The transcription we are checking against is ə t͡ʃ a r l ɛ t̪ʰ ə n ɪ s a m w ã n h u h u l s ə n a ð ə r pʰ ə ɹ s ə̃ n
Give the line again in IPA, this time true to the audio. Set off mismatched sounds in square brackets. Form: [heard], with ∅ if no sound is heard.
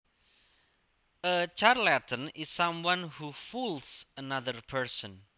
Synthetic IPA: ə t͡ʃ a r l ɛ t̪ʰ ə n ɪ s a m w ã n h u [f] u l s ə n a ð ə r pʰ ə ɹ s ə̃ n

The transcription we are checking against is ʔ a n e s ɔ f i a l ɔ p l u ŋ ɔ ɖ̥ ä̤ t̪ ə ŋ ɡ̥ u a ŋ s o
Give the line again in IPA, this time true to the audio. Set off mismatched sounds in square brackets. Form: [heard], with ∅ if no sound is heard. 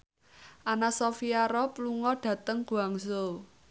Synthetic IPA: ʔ a n [a] s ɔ f i a [ɾ] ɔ p l u ŋ ɔ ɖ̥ ä̤ t̪ ə ŋ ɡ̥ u a ŋ s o

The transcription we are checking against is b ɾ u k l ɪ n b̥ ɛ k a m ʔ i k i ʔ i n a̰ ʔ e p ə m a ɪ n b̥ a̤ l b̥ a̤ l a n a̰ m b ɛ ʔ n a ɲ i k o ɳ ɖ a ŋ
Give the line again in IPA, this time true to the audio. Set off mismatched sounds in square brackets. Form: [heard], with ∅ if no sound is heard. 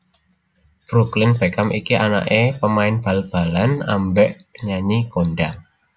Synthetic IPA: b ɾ u k l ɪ n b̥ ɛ k a m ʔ i k i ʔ [a] n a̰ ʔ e p ə m a ɪ n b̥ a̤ l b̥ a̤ l a n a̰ m b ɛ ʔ [ɲ] a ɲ i k o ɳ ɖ a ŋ

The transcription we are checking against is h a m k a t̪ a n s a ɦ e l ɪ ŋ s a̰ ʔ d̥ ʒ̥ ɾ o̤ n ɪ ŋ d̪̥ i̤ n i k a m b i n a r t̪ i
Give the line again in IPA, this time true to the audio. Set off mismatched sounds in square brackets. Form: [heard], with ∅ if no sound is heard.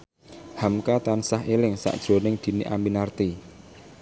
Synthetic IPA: h a m k a t̪ a n s a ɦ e l ɪ ŋ s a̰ ʔ d̥ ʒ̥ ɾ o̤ n ɪ ŋ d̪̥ i̤ n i [ʔ] a m b i n a r t̪ i

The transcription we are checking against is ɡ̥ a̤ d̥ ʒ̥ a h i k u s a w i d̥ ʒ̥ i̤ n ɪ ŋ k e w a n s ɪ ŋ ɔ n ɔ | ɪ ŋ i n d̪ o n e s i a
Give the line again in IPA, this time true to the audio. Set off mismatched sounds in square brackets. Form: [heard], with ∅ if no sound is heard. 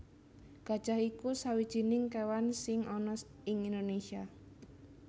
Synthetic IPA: ɡ̥ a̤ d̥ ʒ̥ a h i k u s a w i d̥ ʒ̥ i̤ n ɪ ŋ k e w a n s ɪ ŋ ɔ n ɔ | ɪ ŋ i n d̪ o n e s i a

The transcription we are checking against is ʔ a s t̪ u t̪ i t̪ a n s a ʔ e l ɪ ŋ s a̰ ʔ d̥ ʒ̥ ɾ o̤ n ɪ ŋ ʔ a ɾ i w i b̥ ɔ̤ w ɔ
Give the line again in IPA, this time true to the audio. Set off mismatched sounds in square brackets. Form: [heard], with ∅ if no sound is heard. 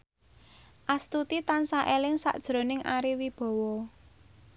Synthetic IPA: ʔ a s t̪ u t̪ i t̪ a n s a ʔ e l ɪ ŋ s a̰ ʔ d̥ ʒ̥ ɾ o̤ n ɪ ŋ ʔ a ɾ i w i b̥ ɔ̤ w ɔ

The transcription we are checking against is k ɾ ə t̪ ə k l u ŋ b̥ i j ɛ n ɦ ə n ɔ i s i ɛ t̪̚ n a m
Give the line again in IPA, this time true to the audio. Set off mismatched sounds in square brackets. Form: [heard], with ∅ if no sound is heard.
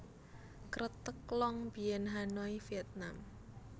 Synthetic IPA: k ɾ ə t̪ ə k l [ɔ] ŋ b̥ i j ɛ n ɦ [a] n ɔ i [f] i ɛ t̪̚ n a m

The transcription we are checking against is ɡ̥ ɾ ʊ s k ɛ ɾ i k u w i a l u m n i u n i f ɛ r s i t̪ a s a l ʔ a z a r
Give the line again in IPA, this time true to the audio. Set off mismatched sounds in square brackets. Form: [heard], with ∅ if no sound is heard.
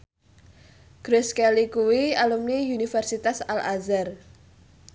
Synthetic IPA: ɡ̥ ɾ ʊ s k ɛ [l] i k u w i a l u m n i u n i f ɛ r s i t̪ a s a l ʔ a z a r

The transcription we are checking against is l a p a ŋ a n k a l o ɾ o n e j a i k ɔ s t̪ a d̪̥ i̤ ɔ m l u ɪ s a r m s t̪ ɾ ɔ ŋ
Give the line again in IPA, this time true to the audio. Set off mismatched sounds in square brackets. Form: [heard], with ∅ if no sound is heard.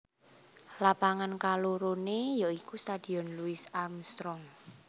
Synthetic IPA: l a p a ŋ a n k a l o ɾ o n e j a i k [u] s t̪ a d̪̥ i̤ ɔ [n] l u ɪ s a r m s t̪ ɾ ɔ ŋ

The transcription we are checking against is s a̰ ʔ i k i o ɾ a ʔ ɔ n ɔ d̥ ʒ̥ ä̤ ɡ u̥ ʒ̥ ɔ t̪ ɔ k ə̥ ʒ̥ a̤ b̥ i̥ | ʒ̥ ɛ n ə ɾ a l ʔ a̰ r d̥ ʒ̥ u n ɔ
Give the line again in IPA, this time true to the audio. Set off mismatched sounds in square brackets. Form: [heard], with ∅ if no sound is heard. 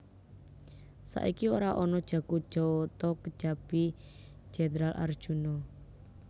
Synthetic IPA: s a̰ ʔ i k i o ɾ a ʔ ɔ n ɔ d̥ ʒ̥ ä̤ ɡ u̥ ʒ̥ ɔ t̪ ɔ k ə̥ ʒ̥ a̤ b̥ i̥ | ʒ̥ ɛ n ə ɾ a l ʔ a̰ r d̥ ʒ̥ u n ɔ

